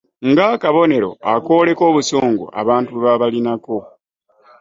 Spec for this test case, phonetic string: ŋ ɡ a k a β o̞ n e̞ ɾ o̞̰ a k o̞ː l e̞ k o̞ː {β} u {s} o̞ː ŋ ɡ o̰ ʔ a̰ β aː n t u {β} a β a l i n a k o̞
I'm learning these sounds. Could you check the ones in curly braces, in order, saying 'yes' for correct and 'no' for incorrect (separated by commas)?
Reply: yes, yes, yes